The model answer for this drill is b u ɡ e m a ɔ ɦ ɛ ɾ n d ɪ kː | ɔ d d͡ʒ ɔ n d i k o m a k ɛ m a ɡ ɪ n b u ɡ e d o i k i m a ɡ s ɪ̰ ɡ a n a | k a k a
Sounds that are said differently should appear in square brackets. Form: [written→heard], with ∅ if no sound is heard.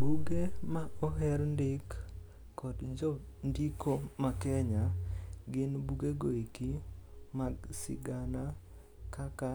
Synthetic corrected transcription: b u ɡ e m a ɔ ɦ ɛ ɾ n d ɪ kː | ɔ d d͡ʒ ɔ n d i k o m a k ɛ [m→ɲ] a ɡ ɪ n b u ɡ e [d→ɡ] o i k i m a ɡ s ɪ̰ ɡ a n a | k a k a